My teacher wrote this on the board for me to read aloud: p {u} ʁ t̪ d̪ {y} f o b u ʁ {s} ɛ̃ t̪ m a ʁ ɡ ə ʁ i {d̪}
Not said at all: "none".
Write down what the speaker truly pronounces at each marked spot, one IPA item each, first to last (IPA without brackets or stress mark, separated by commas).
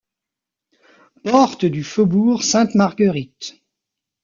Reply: ɔ, y, s, t̪